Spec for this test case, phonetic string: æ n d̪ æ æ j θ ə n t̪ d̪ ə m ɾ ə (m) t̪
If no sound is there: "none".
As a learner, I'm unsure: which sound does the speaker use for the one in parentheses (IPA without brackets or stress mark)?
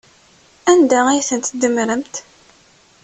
m